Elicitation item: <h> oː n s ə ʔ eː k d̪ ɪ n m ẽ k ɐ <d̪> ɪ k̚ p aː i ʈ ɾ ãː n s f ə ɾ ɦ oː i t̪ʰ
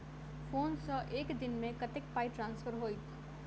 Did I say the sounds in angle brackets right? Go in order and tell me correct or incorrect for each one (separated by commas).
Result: incorrect, incorrect